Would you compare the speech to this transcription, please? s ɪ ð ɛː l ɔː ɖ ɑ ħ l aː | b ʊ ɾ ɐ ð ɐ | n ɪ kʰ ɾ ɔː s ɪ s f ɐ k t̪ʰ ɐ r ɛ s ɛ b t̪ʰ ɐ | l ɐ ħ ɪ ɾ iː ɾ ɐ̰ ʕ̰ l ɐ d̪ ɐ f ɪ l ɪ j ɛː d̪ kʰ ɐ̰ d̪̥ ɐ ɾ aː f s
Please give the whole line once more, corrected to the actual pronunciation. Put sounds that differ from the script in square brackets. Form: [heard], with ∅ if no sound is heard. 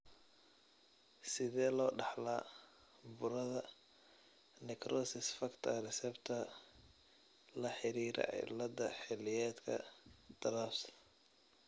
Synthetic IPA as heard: s ɪ ð ɛː l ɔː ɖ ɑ ħ l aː | b ʊ ɾ ɐ ð ɐ | n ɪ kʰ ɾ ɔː s ɪ s f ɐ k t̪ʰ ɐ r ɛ s ɛ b t̪ʰ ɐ | l ɐ ħ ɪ ɾ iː ɾ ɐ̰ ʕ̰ l ɐ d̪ ɐ [ħ] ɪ l ɪ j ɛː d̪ kʰ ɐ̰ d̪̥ ɐ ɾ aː f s